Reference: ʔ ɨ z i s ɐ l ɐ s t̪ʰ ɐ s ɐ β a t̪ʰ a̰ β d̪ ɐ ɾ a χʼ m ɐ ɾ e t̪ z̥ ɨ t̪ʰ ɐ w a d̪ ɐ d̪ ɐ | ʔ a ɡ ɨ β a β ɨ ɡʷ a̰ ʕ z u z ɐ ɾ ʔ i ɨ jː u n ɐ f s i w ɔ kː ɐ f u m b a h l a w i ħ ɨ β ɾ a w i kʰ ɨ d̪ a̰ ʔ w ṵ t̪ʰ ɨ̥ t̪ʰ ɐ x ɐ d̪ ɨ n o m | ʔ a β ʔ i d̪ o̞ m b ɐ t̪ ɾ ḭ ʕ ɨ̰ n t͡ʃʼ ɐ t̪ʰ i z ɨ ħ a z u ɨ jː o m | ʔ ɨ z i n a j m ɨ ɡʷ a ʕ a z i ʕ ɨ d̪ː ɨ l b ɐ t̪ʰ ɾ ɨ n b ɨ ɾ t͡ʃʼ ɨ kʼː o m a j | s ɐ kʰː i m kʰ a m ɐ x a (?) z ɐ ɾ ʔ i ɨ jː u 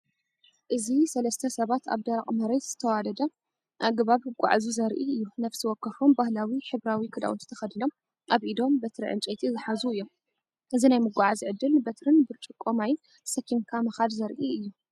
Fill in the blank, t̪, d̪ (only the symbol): d̪